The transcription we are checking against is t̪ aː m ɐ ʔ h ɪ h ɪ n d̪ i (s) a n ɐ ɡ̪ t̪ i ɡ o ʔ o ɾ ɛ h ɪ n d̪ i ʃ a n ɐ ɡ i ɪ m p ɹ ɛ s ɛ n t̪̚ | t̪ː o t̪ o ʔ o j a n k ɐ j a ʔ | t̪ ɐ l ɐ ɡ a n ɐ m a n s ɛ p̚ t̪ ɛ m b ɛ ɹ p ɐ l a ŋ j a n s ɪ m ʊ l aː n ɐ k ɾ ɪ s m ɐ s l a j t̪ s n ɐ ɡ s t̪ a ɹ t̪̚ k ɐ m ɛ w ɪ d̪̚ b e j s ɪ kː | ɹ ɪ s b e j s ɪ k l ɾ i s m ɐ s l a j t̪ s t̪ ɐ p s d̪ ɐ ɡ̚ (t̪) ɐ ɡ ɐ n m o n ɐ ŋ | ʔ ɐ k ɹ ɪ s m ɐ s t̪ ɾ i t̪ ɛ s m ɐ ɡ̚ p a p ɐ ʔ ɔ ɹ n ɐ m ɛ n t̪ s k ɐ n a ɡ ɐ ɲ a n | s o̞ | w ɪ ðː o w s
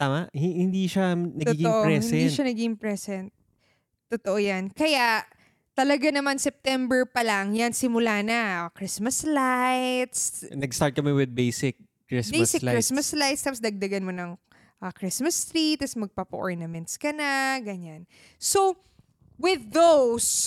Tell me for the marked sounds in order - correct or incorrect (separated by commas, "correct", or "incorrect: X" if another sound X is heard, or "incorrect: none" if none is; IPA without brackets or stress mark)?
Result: incorrect: ʃ, incorrect: d̪